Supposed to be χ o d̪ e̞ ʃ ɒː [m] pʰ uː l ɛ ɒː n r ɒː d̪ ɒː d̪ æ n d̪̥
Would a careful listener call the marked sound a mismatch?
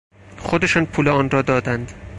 yes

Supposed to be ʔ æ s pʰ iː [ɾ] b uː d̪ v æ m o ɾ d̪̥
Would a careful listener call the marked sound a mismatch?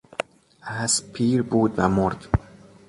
no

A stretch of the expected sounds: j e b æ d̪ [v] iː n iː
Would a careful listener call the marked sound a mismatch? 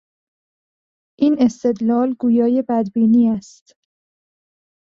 yes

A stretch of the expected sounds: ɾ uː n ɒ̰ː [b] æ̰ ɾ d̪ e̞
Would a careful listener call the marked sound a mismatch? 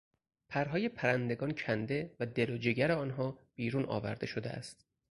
yes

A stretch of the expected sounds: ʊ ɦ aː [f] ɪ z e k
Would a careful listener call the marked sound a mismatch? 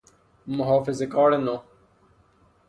no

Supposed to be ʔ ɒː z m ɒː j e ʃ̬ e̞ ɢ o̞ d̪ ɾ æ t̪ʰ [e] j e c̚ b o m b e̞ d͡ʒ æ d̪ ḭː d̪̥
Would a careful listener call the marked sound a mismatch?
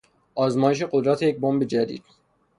no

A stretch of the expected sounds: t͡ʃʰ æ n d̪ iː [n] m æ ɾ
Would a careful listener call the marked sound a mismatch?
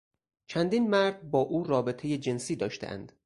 no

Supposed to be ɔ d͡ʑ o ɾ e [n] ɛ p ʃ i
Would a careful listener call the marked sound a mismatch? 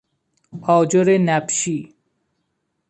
no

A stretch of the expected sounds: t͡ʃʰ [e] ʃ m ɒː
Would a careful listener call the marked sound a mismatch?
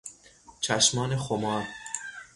yes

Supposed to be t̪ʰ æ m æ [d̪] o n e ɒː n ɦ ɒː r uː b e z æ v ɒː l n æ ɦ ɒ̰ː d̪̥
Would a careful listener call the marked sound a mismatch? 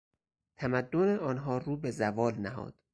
yes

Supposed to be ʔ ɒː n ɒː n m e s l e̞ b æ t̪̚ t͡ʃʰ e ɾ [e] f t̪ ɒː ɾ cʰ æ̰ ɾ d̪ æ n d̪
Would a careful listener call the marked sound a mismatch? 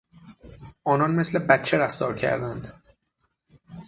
yes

